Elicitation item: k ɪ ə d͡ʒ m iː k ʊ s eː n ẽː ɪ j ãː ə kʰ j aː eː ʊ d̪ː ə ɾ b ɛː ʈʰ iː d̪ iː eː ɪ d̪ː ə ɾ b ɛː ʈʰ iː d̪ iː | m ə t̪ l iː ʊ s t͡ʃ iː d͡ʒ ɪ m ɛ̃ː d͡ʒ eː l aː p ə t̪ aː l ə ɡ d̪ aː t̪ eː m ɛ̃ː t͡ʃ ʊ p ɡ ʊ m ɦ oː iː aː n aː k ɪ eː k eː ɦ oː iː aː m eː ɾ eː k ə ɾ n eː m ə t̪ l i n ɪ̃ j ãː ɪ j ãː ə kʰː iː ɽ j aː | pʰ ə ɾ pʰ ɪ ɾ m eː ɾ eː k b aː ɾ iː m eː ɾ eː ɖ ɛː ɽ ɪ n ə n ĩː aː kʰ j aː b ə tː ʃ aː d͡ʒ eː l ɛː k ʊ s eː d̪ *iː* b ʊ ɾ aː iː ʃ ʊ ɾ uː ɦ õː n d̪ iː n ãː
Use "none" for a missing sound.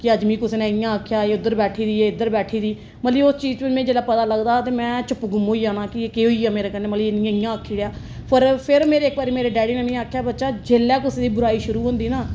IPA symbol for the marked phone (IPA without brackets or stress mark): iː